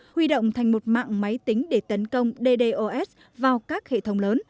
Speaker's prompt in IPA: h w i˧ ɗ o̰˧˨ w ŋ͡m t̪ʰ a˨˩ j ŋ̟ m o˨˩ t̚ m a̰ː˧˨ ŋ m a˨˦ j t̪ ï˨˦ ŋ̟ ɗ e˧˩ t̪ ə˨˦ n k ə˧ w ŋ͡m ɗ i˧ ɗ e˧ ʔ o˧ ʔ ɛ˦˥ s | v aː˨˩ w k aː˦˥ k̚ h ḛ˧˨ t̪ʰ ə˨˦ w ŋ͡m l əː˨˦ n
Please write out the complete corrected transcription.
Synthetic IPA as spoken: h w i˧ ɗ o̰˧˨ w ŋ͡m t̪ʰ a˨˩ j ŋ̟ m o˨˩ t̚ m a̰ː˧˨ ŋ m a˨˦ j t̪ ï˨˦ ŋ̟ ɗ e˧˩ t̪ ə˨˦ n k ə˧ w ŋ͡m ɗ e˧ ɗ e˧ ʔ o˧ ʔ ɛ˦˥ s | v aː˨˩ w k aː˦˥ k̚ h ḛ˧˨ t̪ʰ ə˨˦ w ŋ͡m l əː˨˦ n

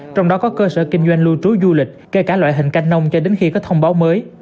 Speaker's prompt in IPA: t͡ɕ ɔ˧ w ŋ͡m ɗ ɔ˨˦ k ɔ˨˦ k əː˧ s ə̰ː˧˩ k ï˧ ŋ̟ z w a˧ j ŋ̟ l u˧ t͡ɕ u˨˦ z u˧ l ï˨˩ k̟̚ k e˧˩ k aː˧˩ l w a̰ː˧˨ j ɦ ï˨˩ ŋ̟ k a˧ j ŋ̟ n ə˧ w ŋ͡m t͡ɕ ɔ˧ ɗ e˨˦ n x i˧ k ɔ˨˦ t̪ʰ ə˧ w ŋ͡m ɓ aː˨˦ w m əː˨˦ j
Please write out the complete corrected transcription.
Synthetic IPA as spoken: t͡ɕ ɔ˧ w ŋ͡m ɗ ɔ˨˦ k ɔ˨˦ k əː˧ s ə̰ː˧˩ k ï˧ ŋ̟ z w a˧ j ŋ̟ l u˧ t͡ɕ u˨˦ z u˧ l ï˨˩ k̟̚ k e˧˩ k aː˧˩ l w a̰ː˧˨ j ɦ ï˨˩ ŋ̟ k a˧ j ŋ̟ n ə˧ w ŋ͡m t͡ɕ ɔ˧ ɗ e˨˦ n x i˧ k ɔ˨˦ t̪ʰ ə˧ w ŋ͡m ɓ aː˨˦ w m əː˨˦ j

